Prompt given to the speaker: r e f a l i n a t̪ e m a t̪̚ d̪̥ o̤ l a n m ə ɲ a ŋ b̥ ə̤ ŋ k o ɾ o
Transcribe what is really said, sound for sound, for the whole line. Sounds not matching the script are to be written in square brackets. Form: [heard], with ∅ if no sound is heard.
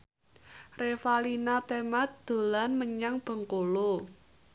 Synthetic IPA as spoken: r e f a l i n a t̪ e m a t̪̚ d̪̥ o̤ l a n m ə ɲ a ŋ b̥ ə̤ ŋ k o [l] o